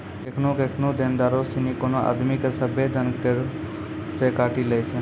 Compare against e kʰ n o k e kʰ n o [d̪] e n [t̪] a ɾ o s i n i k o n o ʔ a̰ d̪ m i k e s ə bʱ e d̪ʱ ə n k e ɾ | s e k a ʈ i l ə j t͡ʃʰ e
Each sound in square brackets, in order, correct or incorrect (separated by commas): correct, incorrect